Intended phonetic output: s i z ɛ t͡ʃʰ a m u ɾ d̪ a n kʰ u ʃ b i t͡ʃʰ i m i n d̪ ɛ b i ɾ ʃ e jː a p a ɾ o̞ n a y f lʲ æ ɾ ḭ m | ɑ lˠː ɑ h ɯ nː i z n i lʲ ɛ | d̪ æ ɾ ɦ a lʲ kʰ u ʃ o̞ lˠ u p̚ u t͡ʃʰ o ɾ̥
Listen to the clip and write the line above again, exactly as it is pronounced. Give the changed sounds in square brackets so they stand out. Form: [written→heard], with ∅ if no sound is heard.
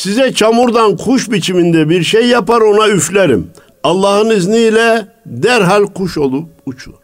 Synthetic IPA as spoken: s i z ɛ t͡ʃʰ a m u ɾ d̪ a n kʰ u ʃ b i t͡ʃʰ i m i n d̪ ɛ b i ɾ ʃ e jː a p a ɾ o̞ n a y f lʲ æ ɾ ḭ m | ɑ lˠː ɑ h ɯ [nː→n] i z n i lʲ ɛ | d̪ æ ɾ ɦ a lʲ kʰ u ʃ o̞ lˠ u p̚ u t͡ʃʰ [o→u] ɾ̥